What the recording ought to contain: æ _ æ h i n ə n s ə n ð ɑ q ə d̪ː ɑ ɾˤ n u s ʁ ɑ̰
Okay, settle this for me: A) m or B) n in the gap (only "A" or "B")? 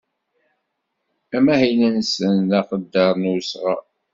A